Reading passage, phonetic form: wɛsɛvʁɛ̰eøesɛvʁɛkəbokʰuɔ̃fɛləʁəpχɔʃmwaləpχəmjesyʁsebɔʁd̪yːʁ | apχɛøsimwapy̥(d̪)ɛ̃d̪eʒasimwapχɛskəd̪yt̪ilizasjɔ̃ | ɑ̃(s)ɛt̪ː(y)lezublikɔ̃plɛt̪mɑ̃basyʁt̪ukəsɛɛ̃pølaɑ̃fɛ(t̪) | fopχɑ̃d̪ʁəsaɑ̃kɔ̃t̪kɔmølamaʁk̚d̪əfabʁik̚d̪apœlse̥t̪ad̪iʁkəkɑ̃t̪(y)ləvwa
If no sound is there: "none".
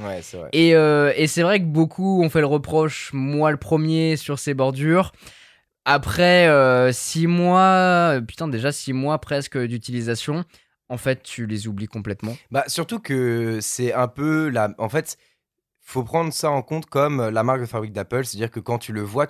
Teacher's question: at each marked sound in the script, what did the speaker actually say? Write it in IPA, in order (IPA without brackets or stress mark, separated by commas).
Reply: t̪, f, y, t̪, y